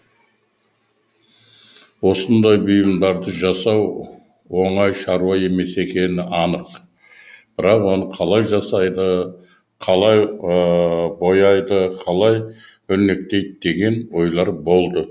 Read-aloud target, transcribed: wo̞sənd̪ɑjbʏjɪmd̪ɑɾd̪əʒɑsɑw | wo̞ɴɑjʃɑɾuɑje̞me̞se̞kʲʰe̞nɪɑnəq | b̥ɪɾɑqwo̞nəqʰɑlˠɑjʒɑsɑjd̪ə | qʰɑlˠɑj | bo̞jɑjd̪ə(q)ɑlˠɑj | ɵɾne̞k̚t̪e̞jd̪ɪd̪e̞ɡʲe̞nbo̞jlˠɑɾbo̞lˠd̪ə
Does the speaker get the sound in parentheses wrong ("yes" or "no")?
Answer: yes